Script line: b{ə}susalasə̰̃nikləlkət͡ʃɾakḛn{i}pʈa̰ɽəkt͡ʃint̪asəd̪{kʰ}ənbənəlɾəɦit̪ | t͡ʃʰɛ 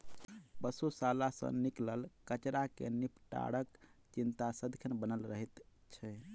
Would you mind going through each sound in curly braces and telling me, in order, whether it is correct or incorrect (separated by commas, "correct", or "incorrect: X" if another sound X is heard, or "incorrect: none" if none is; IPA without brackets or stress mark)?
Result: correct, correct, correct